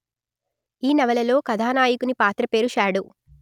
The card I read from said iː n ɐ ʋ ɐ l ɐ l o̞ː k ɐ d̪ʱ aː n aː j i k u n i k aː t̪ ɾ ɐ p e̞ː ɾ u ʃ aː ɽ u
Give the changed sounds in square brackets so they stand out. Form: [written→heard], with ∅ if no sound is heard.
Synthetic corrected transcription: iː n ɐ ʋ ɐ l ɐ l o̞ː k ɐ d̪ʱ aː n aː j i k u n i [k→p] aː t̪ ɾ ɐ p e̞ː ɾ u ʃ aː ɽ u

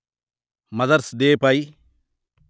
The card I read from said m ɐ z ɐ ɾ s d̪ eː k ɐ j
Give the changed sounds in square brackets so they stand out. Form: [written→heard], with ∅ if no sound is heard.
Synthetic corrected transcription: m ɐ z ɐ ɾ s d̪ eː [k→p] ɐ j

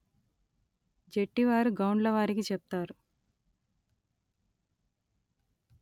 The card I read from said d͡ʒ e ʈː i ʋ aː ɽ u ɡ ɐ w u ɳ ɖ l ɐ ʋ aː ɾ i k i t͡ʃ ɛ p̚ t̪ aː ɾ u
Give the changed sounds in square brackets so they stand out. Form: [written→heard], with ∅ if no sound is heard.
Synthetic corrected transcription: d͡ʒ e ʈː i ʋ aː [ɽ→ɾ] u ɡ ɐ w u ɳ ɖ l ɐ ʋ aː ɾ i k i t͡ʃ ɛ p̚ t̪ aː ɾ u

